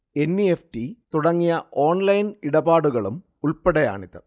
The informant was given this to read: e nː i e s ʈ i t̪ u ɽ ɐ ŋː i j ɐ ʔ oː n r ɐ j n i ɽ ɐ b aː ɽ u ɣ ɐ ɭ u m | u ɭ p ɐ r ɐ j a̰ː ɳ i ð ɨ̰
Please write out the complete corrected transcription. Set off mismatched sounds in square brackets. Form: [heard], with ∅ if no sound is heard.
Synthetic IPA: e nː i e [f] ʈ i t̪ u ɽ ɐ ŋː i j ɐ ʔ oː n [l] ɐ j n i ɽ ɐ b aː ɽ u ɣ ɐ ɭ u m | u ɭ p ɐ [ɽ] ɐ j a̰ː ɳ i ð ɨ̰